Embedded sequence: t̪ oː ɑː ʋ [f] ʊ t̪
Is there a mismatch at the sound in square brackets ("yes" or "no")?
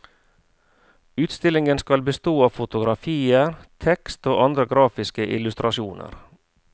no